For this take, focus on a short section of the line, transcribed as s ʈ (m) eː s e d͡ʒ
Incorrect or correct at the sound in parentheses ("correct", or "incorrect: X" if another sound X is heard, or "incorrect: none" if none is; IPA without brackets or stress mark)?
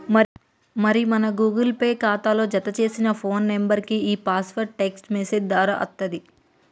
correct